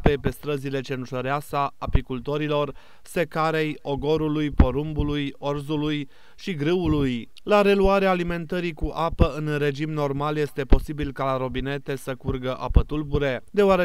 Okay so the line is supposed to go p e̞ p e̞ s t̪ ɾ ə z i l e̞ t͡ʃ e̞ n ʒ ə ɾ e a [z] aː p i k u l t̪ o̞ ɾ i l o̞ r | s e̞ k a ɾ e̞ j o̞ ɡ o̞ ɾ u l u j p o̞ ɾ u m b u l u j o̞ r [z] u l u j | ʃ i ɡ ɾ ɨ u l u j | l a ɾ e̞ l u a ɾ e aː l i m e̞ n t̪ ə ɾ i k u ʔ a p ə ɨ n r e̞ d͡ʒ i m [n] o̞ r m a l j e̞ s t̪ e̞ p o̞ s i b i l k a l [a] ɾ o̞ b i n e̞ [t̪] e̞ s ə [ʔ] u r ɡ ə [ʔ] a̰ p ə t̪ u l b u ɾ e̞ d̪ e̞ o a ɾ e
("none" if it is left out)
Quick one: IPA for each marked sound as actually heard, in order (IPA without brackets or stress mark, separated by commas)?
s, z, n, a, t̪, k, ʔ